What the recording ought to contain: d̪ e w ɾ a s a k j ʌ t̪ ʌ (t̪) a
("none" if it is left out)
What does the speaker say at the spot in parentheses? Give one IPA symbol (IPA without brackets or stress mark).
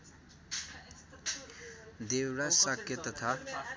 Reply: t̪ʰ